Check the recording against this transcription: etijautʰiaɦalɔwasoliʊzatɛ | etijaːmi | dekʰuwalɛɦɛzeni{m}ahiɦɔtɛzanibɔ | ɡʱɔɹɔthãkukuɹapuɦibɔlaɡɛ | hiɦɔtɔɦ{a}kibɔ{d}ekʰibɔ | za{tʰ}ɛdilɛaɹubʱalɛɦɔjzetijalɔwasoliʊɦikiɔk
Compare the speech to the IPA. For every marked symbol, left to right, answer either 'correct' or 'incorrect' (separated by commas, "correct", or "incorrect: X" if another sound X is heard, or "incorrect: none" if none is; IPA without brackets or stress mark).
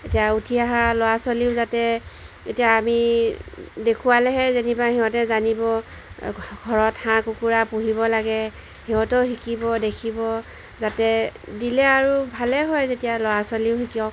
incorrect: b, incorrect: i, correct, incorrect: t